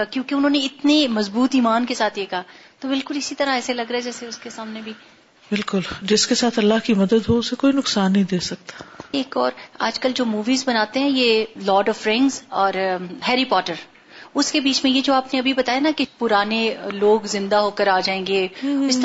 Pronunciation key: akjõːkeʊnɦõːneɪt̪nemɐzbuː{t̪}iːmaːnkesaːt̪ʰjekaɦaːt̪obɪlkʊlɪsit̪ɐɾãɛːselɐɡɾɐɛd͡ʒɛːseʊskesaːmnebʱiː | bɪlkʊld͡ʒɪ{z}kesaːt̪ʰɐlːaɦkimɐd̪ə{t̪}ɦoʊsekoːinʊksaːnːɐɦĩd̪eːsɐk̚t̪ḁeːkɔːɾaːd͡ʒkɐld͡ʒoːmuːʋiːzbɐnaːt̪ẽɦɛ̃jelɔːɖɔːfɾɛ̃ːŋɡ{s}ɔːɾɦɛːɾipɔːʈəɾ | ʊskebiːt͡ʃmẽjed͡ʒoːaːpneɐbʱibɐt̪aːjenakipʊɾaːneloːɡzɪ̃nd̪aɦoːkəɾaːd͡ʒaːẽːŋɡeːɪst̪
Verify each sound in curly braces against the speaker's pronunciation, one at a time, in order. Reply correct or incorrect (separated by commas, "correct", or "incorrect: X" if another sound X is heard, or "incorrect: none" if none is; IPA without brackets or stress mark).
correct, incorrect: s, incorrect: d̪, incorrect: z